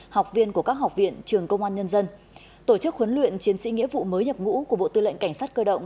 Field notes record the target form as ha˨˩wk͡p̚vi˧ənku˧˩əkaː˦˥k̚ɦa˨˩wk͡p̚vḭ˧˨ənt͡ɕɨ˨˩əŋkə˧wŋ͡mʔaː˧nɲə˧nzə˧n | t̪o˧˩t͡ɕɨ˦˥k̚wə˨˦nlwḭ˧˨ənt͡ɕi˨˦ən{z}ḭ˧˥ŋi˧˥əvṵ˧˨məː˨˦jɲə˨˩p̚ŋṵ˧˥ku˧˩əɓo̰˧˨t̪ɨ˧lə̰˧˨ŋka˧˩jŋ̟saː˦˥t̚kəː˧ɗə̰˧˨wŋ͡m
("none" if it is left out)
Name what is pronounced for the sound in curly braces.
s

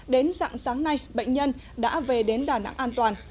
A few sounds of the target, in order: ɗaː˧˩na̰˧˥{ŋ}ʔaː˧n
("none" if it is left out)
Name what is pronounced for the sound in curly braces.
ŋ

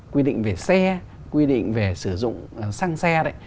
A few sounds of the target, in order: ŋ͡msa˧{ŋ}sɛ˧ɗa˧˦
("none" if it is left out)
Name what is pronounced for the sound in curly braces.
ŋ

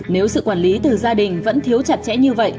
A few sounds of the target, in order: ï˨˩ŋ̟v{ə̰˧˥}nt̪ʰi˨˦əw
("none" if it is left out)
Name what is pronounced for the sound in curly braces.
ə̰˧˥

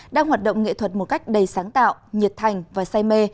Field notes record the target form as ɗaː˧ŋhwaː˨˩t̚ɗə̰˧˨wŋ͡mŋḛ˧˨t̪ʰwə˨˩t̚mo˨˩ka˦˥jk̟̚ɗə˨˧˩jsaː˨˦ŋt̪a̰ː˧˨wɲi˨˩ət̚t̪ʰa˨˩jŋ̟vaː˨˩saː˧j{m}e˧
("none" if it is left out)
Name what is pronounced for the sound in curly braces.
m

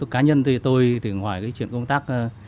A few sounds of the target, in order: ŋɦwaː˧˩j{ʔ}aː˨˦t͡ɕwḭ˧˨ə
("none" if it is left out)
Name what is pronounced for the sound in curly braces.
k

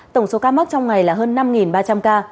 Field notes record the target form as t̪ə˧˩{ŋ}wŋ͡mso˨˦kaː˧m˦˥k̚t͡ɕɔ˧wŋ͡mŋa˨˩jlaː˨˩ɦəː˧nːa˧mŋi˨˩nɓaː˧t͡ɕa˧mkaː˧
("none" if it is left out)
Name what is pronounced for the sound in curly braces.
none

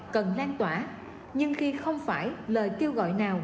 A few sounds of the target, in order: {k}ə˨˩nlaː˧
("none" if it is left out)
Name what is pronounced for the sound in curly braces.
k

